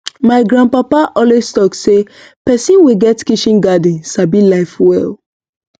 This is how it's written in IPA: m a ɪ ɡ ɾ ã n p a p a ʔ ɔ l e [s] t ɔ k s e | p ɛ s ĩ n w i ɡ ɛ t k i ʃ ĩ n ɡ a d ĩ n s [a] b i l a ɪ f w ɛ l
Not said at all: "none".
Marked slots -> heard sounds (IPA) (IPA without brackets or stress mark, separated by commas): s, a